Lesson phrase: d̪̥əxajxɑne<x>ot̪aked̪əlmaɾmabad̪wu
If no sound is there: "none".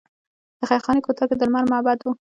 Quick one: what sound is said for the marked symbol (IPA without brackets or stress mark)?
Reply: k